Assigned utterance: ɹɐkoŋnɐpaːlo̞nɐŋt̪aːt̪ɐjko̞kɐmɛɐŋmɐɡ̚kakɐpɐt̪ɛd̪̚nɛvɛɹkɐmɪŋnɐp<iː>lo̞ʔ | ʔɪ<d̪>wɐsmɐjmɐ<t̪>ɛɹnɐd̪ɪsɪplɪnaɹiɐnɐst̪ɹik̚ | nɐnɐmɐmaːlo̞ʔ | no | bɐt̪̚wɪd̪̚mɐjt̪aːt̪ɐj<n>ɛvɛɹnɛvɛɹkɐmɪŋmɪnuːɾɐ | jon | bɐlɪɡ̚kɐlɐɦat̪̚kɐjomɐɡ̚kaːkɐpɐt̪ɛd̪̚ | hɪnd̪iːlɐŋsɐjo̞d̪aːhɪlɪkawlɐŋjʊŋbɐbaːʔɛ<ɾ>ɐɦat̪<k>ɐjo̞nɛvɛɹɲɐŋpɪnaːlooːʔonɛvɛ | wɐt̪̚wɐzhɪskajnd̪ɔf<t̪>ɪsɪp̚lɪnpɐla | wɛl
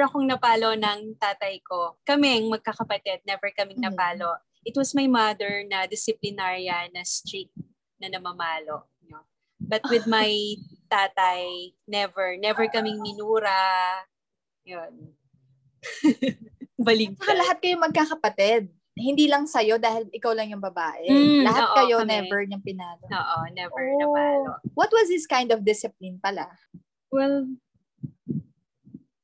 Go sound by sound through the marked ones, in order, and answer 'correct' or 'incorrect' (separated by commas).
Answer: incorrect, incorrect, incorrect, correct, incorrect, correct, incorrect